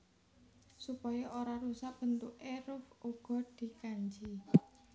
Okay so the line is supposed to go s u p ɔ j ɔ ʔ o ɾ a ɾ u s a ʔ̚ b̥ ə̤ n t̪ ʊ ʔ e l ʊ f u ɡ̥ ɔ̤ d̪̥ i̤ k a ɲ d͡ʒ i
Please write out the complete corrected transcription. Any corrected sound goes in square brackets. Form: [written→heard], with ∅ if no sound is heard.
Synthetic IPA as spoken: s u p ɔ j ɔ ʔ o ɾ a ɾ u s a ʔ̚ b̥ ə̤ n t̪ ʊ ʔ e [l→ɾ] ʊ f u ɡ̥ ɔ̤ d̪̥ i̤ k a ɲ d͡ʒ i